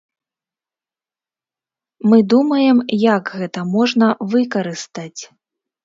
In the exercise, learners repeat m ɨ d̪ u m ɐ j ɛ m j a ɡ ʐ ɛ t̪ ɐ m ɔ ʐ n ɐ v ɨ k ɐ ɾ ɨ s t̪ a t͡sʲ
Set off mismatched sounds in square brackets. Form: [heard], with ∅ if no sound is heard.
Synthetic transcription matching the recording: m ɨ d̪ u m ɐ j ɛ m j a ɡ [ɣ] ɛ t̪ ɐ m ɔ ʐ n ɐ v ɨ k ɐ ɾ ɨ s t̪ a t͡sʲ